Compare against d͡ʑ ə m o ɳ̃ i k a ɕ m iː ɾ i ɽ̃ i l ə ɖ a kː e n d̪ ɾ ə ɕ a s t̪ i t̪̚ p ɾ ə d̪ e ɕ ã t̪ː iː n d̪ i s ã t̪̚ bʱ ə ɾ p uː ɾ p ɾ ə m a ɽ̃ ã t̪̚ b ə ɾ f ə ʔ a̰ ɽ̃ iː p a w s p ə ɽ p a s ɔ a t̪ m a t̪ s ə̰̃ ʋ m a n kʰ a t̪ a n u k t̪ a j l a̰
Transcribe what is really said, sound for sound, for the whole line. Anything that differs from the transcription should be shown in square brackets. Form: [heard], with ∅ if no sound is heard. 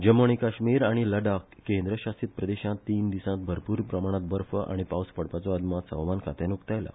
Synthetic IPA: d͡ʑ ə m o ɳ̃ i k a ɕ m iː ɾ [a] ɽ̃ i l ə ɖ a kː e n d̪ ɾ ə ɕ a s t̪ i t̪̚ p ɾ ə d̪ e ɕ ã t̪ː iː n d̪ i s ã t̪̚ bʱ ə ɾ p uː ɾ p ɾ ə m a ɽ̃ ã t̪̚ b ə ɾ f ə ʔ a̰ ɽ̃ [i] p a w s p ə ɽ p a [t͡s] ɔ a [d̪] m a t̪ s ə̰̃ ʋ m a n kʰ a t̪ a n u k t̪ a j l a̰